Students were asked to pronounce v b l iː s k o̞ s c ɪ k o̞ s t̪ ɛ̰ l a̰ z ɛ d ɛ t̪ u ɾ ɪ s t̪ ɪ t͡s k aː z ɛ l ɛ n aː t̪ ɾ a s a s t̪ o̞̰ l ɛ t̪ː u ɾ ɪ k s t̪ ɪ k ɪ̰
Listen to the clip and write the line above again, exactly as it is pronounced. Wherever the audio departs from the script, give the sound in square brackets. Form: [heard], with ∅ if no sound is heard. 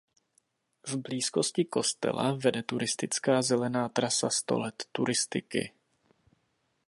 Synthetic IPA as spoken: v b l iː s k o̞ s c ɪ k o̞ s t̪ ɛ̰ l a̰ [v] ɛ d ɛ t̪ u ɾ ɪ s t̪ ɪ t͡s k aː z ɛ l ɛ n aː t̪ ɾ a s a s t̪ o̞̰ l ɛ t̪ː u ɾ ɪ [∅] s t̪ ɪ k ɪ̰

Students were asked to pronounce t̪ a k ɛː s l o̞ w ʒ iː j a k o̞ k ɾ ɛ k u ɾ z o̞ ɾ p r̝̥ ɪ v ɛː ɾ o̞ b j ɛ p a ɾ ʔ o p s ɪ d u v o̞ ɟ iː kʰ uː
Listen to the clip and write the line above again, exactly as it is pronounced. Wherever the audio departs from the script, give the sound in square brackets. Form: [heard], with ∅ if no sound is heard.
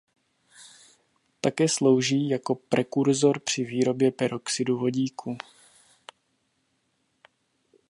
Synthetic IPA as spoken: t̪ a k ɛː s l o̞ w ʒ iː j a k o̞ [p] ɾ ɛ k u ɾ z o̞ ɾ p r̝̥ ɪ v [iː] ɾ o̞ b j ɛ p [ɛ] ɾ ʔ o [k] s ɪ d u v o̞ ɟ iː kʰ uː

